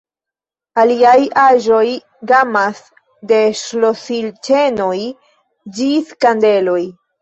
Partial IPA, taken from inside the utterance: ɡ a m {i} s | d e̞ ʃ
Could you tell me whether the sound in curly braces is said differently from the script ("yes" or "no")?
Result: yes